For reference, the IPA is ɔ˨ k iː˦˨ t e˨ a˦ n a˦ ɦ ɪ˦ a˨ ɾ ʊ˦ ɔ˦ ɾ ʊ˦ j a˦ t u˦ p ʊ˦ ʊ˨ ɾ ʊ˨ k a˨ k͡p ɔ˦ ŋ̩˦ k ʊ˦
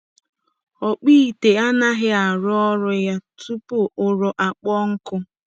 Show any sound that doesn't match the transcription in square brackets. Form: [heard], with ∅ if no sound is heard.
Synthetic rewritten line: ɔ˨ [k͡p] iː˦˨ t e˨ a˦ n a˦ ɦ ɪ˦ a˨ ɾ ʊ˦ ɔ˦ ɾ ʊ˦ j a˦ t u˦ p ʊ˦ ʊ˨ ɾ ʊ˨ [ʔ] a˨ k͡p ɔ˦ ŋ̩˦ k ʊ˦